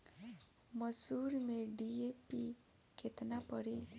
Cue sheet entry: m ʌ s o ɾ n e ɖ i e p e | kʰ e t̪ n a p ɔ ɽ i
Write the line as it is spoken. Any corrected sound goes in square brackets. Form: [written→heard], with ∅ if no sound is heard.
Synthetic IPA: m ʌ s [o→u] ɾ [n→m] e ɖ i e p [e→i] | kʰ e t̪ n a p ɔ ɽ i